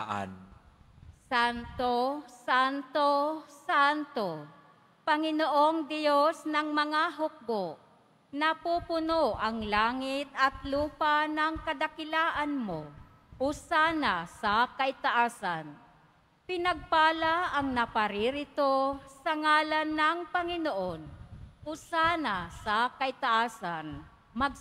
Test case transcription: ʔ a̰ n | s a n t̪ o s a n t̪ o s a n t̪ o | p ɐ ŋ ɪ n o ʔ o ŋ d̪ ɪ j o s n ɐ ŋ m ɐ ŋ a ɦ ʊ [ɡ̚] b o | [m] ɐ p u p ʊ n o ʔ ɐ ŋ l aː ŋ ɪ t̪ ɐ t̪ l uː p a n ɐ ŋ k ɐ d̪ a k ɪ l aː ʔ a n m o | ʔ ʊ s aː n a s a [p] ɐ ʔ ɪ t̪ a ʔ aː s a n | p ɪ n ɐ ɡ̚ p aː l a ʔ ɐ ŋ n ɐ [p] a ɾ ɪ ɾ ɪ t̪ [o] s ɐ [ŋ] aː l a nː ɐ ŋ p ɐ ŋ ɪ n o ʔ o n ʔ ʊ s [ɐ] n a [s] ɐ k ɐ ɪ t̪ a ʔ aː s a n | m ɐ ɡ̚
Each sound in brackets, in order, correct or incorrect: incorrect: k̚, incorrect: n, incorrect: k, correct, correct, correct, incorrect: a, correct

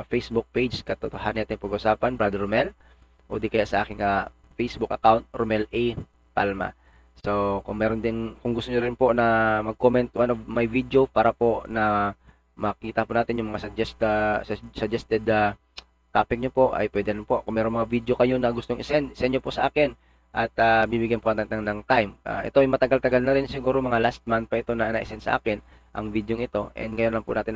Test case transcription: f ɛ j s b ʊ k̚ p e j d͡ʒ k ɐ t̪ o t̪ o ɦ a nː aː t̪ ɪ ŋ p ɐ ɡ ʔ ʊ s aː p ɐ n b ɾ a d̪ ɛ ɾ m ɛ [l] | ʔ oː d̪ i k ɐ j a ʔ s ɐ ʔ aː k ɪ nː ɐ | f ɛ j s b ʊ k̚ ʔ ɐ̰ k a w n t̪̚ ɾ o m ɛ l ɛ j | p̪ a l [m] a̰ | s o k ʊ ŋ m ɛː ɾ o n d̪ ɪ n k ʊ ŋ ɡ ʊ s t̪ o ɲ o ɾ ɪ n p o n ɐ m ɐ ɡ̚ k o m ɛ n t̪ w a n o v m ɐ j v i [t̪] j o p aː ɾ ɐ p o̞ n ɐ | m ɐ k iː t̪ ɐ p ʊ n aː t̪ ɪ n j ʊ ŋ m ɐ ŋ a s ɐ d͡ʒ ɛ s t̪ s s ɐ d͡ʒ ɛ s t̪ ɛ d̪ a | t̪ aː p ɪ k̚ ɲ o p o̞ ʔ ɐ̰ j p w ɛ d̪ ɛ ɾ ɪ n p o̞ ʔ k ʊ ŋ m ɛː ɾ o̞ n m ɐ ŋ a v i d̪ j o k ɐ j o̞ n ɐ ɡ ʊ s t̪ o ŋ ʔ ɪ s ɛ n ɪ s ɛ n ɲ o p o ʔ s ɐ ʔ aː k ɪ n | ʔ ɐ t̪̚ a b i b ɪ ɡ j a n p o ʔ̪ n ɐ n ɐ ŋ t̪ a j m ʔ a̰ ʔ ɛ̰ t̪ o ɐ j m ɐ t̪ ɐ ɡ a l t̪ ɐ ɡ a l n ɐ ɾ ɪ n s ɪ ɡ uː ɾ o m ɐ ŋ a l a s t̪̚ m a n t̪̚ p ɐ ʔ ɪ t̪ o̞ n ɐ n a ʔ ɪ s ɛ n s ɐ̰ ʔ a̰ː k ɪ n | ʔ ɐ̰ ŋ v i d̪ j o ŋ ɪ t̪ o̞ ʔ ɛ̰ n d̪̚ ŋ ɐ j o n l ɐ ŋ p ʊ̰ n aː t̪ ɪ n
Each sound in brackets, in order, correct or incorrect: correct, correct, incorrect: d̪

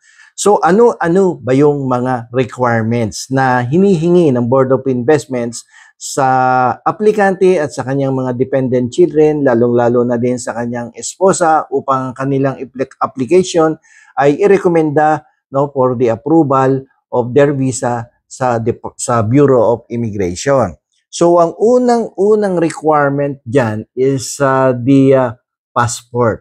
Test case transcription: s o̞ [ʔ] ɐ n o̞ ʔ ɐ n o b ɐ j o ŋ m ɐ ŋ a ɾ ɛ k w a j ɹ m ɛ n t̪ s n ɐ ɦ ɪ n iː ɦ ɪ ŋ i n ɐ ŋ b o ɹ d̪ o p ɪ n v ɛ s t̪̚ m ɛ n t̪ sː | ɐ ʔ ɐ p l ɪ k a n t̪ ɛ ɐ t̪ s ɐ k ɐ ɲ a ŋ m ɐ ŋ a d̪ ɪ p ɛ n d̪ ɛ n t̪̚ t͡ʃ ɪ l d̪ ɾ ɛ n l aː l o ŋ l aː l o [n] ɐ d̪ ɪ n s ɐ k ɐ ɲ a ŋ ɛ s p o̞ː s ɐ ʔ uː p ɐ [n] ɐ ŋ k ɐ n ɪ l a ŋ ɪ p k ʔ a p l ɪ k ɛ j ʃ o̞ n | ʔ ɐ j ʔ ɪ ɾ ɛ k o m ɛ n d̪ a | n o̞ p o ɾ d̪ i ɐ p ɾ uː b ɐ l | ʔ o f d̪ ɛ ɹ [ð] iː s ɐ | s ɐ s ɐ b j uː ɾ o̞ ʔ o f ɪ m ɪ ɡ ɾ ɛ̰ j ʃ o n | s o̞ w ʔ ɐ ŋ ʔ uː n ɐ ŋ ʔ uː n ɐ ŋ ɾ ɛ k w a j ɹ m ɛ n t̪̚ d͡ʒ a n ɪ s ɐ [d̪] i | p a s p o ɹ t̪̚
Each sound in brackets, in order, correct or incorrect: correct, correct, incorrect: ŋ, incorrect: v, correct

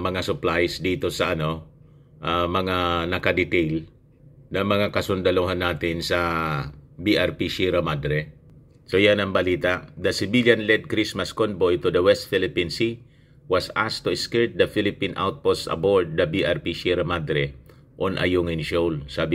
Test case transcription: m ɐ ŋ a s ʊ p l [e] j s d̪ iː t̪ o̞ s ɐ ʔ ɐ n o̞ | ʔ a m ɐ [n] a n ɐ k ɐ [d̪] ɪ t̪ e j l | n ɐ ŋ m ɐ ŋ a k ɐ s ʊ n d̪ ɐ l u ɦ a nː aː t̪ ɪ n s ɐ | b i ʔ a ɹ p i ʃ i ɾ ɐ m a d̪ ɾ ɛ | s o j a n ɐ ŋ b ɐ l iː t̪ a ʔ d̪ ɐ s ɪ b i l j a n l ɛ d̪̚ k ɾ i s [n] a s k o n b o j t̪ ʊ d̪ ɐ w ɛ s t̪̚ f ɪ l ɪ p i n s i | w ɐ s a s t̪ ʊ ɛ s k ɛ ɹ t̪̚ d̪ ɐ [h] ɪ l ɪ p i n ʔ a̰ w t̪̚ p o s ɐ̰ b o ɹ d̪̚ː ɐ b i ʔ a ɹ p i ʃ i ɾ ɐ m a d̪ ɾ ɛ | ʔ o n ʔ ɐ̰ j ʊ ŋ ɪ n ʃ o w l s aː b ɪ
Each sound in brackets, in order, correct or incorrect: incorrect: a, incorrect: ŋ, correct, incorrect: m, incorrect: f

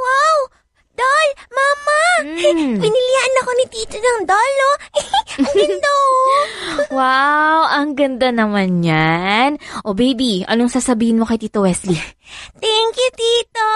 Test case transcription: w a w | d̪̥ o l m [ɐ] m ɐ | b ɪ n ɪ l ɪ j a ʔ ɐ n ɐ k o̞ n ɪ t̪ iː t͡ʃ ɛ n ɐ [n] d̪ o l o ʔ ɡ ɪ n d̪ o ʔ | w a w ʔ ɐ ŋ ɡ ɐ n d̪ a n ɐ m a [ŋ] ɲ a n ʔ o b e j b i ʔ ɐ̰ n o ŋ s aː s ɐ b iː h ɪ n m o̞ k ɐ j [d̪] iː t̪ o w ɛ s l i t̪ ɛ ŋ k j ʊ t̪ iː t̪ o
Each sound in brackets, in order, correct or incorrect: incorrect: a, incorrect: ŋ, incorrect: n, incorrect: t̪

